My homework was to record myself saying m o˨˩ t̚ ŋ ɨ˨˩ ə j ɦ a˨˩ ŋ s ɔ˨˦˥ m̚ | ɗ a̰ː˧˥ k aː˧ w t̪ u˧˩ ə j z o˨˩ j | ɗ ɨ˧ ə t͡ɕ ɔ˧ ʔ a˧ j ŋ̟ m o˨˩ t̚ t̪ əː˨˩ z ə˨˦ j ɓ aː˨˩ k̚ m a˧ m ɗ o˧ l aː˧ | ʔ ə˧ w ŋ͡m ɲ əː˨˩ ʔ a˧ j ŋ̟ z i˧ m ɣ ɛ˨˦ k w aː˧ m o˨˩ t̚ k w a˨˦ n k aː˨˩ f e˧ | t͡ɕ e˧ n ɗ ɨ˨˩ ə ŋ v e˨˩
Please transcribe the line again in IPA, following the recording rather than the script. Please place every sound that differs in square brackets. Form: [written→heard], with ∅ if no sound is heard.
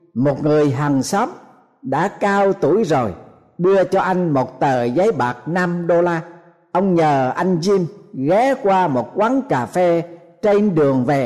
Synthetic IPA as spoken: m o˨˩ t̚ ŋ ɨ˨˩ ə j ɦ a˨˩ ŋ s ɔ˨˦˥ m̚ | ɗ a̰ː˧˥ k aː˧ w t̪ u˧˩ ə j z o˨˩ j | ɗ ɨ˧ ə t͡ɕ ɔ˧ ʔ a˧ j ŋ̟ m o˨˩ t̚ t̪ əː˨˩ z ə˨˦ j ɓ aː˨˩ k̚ [m→n] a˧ m ɗ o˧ l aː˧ | ʔ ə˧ w ŋ͡m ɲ əː˨˩ ʔ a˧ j ŋ̟ z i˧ m ɣ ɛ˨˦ k w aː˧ m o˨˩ t̚ k w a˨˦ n k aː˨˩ f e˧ | t͡ɕ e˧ n ɗ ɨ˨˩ ə ŋ v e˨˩